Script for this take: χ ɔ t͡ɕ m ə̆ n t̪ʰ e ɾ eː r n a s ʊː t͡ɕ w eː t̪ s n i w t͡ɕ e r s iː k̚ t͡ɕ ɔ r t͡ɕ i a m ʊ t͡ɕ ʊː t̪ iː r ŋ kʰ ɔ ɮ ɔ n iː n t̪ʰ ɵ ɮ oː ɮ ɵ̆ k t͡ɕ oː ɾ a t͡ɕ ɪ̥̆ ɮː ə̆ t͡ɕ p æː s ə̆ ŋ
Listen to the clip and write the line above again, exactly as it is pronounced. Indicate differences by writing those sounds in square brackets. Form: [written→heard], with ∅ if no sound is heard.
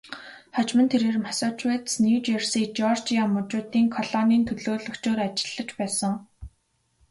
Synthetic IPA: χ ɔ t͡ɕ m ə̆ n t̪ʰ e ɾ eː r [n→m] a s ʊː t͡ɕ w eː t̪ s n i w t͡ɕ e r s iː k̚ t͡ɕ ɔ r t͡ɕ i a m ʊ t͡ɕ ʊː t̪ iː [r→∅] ŋ kʰ ɔ ɮ ɔ n iː n t̪ʰ ɵ ɮ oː ɮ ɵ̆ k t͡ɕ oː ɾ a t͡ɕ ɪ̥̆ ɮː ə̆ t͡ɕ p æː s ə̆ ŋ